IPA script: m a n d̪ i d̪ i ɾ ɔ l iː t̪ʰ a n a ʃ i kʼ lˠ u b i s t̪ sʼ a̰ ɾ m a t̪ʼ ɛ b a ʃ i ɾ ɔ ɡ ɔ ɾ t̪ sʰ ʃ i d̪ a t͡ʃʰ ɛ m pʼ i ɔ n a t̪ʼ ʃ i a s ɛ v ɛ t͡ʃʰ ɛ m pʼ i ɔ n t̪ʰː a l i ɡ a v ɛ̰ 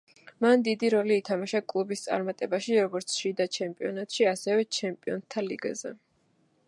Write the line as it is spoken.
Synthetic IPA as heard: m a n d̪ i d̪ i ɾ ɔ l iː t̪ʰ a m a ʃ a kʼ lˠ u b i s t̪ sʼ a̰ ɾ m a t̪ʼ ɛ b a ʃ i ɾ ɔ ɡ ɔ ɾ t̪ sʰ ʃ i d̪ a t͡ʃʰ ɛ m pʼ i ɔ n a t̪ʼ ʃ i a s ɛ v ɛ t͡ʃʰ ɛ m pʼ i ɔ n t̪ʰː a l i ɡ a z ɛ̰